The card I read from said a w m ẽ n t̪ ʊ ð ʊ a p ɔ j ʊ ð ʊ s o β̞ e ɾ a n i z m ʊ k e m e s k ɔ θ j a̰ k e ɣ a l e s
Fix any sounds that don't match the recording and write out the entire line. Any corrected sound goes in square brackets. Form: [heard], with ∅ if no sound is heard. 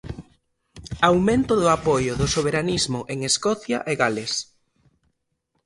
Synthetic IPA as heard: a w m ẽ n t̪ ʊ ð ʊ a p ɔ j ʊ ð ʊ s o β̞ e ɾ a n i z m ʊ [ʔ] e [ŋ] e s k ɔ θ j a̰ [ʔ] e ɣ a l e s